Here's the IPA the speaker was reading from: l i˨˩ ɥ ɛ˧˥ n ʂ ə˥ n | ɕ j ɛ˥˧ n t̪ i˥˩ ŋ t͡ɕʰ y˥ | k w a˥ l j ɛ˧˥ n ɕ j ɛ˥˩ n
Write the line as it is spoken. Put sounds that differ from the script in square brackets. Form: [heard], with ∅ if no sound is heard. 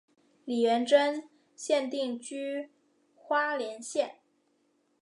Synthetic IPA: l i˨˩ ɥ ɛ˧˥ n [ʈ͡ʂ] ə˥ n | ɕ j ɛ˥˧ n t̪ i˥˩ ŋ [t͡ɕ] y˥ | [x] w a˥ l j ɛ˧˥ n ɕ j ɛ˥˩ n